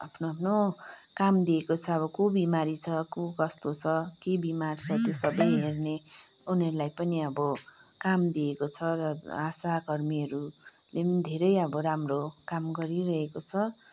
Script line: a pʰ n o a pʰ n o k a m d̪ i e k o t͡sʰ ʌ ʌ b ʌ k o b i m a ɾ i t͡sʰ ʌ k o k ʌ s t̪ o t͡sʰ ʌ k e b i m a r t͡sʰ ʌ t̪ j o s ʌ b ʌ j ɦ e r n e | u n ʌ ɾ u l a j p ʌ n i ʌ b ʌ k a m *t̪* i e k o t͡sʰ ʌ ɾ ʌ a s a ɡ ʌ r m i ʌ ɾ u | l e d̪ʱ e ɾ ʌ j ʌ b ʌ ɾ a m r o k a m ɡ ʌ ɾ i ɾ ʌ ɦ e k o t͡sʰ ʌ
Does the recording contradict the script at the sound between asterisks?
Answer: yes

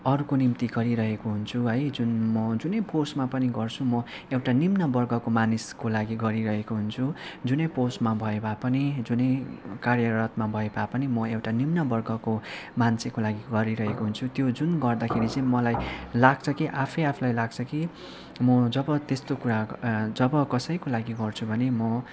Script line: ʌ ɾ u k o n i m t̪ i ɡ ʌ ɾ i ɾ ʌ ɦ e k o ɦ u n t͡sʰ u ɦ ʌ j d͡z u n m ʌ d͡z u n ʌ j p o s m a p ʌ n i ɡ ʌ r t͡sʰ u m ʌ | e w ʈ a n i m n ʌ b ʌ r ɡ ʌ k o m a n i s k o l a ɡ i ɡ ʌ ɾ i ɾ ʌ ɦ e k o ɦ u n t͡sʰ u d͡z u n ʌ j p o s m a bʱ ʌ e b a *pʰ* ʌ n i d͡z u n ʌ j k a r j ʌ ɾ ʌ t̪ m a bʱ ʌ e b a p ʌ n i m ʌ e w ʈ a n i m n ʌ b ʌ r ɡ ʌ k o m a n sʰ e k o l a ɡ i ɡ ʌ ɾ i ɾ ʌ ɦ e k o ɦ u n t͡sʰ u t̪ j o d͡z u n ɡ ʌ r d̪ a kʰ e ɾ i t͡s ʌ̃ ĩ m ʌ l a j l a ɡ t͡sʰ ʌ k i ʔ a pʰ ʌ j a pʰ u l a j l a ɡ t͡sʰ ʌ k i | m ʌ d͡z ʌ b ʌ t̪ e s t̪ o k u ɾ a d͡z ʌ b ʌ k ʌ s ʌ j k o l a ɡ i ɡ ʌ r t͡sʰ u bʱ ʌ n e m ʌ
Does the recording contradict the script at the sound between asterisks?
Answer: yes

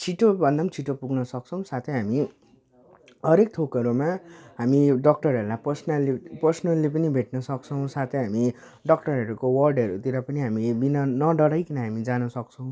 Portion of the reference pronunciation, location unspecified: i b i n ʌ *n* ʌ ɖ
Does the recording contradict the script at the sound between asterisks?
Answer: no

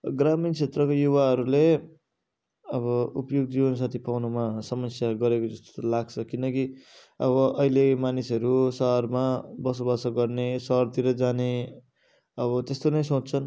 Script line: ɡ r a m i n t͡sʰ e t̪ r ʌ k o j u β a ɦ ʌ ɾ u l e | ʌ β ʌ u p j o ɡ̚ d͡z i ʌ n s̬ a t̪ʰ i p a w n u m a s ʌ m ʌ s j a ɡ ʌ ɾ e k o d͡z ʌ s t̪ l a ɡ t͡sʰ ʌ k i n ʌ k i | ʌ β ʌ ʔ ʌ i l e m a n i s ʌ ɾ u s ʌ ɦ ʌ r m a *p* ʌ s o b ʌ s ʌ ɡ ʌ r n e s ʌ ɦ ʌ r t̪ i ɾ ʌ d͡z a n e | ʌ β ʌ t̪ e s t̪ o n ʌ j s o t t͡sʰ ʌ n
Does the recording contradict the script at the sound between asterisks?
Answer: yes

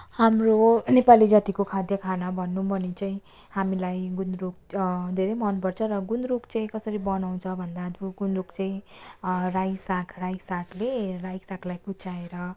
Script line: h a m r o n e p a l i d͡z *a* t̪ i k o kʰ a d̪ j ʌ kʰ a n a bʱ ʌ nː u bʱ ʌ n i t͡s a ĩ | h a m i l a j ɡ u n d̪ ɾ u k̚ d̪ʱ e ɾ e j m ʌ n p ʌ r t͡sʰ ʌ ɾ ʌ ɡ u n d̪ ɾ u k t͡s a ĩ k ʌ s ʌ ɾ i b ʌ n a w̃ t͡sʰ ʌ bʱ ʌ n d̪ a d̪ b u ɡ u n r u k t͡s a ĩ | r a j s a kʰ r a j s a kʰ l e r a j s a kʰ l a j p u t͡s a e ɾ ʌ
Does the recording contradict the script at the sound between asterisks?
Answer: no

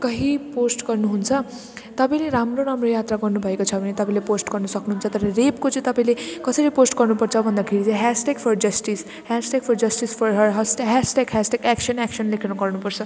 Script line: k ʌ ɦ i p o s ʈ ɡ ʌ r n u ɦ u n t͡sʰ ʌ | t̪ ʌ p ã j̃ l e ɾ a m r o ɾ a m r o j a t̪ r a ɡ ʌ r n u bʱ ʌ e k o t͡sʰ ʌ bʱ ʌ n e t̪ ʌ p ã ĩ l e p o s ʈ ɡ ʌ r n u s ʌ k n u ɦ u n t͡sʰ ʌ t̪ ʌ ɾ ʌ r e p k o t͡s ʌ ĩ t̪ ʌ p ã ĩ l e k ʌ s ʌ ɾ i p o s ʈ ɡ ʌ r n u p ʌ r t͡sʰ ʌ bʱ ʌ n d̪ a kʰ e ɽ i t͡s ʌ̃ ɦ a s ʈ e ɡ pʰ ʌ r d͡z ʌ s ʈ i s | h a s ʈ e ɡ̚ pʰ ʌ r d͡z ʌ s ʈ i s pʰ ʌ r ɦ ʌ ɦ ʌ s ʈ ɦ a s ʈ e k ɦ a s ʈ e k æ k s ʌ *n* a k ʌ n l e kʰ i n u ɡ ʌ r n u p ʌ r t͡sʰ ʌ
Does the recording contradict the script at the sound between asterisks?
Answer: no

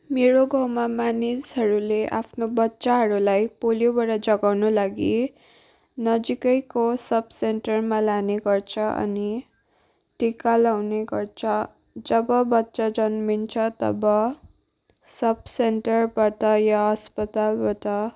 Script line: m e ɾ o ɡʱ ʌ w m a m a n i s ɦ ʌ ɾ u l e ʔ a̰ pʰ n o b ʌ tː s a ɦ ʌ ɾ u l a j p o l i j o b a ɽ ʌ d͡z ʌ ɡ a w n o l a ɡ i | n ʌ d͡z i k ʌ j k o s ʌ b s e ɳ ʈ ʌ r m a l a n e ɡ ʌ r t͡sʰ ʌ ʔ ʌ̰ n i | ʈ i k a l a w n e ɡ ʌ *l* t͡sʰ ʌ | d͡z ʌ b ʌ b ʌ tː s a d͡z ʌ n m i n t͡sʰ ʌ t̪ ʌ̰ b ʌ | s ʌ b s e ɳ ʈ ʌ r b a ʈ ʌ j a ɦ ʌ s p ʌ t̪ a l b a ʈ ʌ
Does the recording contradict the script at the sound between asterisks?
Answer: yes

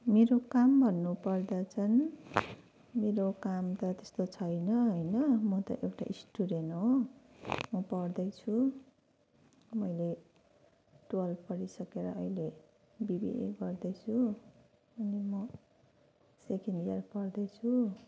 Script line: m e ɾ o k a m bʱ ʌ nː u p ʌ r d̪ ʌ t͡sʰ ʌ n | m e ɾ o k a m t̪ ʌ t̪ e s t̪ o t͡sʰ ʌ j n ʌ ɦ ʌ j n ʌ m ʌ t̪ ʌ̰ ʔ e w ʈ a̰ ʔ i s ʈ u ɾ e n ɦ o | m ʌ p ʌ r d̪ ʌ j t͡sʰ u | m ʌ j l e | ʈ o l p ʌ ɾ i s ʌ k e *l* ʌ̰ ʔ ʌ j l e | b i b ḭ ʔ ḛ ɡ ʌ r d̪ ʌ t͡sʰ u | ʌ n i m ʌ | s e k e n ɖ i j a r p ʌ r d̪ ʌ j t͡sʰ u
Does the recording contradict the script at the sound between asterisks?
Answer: yes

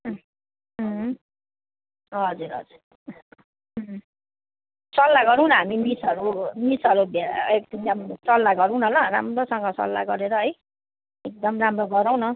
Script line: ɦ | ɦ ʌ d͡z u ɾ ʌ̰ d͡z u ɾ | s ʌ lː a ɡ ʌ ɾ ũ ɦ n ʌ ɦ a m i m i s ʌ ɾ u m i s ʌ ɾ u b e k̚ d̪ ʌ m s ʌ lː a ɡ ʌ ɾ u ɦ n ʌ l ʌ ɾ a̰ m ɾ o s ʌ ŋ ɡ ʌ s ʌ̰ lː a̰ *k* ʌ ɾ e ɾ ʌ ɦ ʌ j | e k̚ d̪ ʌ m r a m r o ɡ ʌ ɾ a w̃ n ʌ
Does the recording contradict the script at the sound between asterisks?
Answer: yes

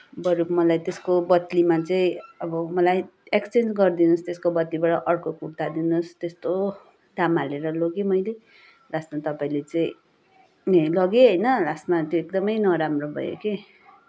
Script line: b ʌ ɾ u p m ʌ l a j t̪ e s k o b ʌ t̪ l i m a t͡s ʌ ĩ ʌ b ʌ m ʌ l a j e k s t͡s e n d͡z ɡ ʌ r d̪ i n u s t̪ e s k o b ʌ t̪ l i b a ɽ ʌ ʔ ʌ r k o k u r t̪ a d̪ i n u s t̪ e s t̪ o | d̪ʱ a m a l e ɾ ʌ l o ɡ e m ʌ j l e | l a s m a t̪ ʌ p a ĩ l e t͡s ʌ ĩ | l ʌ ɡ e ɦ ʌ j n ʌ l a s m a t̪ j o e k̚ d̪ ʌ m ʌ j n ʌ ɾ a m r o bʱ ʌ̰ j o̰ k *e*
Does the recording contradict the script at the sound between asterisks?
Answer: no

